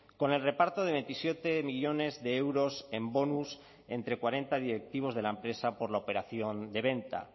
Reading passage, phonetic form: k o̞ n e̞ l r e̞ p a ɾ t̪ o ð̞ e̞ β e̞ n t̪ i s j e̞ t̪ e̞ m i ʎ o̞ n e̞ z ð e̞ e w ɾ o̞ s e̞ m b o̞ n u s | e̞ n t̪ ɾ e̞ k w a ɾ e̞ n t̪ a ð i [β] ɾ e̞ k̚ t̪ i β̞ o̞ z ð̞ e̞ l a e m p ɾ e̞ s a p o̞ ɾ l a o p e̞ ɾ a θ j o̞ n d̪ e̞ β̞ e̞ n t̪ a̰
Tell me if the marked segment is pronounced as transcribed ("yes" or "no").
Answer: no